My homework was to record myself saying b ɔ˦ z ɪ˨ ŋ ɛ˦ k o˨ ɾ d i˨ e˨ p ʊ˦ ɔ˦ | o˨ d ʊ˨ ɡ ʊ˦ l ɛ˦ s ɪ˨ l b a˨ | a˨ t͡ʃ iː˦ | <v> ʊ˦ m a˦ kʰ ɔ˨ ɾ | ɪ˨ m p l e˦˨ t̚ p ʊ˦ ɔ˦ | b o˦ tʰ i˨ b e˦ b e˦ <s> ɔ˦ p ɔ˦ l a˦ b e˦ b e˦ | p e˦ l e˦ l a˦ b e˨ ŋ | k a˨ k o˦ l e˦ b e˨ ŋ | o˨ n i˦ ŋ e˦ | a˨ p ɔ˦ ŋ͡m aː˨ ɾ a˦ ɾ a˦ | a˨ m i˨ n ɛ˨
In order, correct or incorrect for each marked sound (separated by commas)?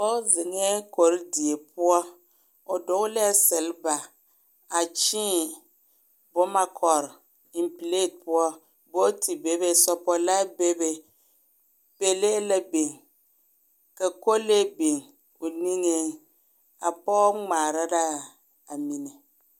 incorrect, correct